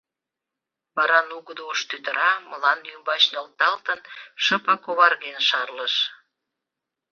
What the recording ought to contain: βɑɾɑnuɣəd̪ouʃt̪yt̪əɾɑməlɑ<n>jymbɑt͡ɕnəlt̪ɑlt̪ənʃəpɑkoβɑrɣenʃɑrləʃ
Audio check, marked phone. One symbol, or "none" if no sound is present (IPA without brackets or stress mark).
n